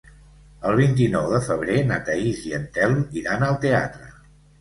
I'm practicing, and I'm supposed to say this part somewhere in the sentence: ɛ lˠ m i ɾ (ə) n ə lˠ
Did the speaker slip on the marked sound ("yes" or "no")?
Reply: yes